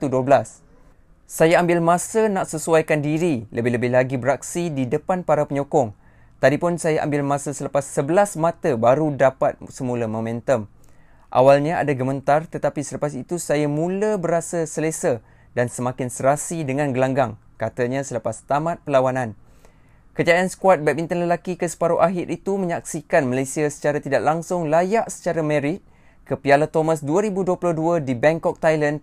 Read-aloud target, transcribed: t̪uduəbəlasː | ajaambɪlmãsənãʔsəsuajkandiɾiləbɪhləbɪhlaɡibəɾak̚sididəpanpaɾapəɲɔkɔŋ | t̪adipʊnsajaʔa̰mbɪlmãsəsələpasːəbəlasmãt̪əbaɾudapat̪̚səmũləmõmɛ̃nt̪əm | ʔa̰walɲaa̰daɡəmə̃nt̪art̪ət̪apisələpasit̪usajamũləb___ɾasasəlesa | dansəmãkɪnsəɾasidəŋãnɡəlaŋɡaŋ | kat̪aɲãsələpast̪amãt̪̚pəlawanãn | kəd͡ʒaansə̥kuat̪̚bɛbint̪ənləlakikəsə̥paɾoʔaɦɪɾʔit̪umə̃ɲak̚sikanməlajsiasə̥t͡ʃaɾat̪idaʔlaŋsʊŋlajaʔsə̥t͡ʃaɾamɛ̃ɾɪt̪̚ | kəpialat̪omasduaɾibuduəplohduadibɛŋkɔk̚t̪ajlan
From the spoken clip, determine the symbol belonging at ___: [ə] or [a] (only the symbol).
ə